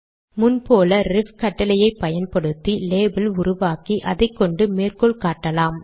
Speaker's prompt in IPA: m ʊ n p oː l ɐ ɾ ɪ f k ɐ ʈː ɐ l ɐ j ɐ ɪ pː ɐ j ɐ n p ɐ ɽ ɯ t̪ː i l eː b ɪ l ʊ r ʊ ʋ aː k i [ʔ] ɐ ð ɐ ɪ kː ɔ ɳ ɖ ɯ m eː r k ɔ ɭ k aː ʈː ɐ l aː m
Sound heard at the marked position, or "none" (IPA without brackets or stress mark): ʔ